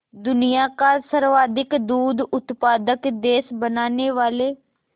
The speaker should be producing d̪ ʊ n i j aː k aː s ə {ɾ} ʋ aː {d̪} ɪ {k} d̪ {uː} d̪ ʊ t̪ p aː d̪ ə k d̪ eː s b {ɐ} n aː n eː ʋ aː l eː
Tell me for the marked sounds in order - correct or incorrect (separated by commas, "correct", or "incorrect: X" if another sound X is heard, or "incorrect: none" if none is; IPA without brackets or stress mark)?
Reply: correct, correct, correct, correct, incorrect: ə